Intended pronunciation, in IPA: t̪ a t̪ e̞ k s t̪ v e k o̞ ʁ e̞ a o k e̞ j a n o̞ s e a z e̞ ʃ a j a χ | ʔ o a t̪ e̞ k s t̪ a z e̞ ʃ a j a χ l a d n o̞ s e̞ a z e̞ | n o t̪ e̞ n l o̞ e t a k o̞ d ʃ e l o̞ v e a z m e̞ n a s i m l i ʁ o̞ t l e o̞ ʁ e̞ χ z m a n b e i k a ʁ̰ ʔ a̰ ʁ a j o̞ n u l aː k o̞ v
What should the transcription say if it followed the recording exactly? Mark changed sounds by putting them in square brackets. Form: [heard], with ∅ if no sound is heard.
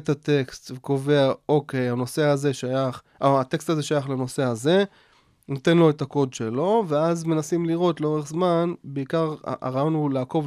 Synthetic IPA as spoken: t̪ a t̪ e̞ k s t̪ v e k o̞ [v] e̞ a o k e̞ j a n o̞ s e a z e̞ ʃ a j a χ | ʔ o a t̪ e̞ k s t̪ a z e̞ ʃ a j a χ l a [∅] n o̞ s e̞ a z e̞ | n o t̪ e̞ n l o̞ e t a k o̞ d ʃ e l o̞ v e a z m e̞ n a s i m l i ʁ o̞ t l e o̞ ʁ e̞ χ z m a n b e i k a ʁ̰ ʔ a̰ ʁ a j o̞ n u l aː k o̞ v